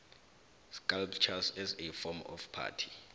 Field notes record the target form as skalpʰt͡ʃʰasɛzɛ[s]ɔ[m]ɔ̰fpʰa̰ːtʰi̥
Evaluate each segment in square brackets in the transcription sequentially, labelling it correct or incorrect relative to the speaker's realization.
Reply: incorrect, correct

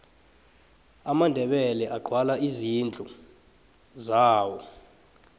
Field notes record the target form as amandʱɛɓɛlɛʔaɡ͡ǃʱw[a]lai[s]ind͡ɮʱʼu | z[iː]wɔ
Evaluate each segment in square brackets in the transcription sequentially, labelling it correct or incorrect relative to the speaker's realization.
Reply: correct, incorrect, incorrect

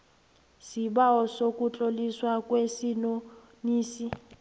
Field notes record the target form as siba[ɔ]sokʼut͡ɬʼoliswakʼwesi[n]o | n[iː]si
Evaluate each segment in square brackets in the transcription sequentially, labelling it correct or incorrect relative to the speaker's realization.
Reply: correct, correct, correct

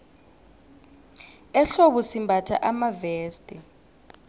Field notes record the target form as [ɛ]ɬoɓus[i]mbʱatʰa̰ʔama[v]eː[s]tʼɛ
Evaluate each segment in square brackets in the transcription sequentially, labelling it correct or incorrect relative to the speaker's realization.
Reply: correct, correct, correct, correct

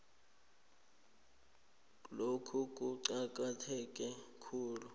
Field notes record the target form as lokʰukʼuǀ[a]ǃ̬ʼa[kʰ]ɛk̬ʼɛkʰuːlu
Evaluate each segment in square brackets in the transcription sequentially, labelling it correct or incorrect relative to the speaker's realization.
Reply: correct, incorrect

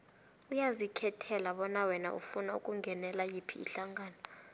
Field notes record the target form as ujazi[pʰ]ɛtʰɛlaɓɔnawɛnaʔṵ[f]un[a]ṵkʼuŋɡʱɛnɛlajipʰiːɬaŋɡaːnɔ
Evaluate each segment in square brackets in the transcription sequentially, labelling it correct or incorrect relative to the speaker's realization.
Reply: incorrect, correct, correct

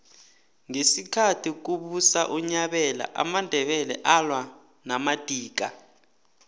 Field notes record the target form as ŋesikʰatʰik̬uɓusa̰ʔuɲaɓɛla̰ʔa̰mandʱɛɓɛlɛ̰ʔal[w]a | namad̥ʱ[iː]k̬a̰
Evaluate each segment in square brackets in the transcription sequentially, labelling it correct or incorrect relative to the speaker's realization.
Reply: correct, correct

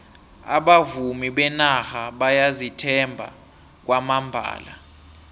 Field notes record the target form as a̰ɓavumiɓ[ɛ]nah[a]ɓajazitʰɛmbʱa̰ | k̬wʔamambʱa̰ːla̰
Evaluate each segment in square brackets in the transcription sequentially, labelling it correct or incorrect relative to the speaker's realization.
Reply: correct, correct

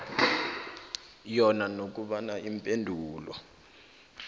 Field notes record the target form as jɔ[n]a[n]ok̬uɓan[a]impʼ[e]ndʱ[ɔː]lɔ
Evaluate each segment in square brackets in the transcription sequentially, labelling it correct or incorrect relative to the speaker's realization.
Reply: correct, correct, correct, correct, incorrect

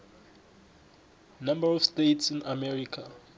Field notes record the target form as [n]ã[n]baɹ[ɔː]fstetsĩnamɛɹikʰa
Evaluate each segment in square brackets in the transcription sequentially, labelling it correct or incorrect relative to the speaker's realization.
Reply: correct, incorrect, incorrect

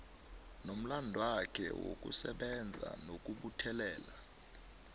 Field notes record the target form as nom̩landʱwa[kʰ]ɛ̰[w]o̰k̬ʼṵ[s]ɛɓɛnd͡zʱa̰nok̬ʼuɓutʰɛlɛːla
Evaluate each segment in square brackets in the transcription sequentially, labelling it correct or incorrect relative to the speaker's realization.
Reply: correct, correct, correct

